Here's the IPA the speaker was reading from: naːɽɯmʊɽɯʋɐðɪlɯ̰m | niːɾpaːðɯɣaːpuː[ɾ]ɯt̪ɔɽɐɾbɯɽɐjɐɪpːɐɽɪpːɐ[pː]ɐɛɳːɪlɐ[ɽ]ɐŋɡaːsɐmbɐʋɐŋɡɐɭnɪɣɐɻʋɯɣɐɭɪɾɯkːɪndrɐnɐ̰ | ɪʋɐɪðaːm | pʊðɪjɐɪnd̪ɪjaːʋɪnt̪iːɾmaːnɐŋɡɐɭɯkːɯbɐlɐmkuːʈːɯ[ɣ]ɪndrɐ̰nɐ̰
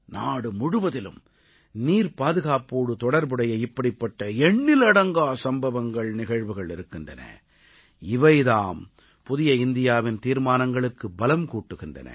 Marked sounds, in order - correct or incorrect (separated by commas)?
incorrect, incorrect, correct, correct